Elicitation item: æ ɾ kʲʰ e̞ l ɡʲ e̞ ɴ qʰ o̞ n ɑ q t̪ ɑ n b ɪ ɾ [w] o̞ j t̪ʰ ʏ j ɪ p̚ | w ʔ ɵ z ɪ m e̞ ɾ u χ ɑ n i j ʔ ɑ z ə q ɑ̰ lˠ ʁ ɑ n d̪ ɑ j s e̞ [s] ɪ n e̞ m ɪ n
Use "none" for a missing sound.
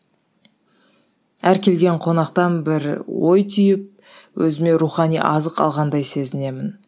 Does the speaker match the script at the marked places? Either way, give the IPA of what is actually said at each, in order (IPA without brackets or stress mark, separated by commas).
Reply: w, z